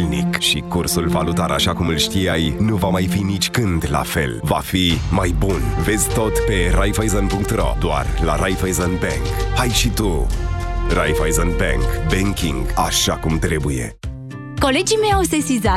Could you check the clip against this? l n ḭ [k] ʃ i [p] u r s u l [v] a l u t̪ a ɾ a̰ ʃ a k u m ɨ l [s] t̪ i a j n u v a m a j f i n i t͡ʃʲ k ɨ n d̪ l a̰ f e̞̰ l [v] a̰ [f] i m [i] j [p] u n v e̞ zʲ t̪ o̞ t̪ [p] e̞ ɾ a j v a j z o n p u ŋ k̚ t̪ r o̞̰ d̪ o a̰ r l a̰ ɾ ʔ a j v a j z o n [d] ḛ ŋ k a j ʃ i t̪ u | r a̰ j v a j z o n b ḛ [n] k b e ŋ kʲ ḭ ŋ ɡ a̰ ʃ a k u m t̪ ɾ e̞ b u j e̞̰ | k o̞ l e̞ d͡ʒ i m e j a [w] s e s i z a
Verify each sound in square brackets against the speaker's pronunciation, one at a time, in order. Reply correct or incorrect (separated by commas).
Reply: correct, incorrect, correct, incorrect, correct, correct, incorrect, incorrect, correct, incorrect, incorrect, correct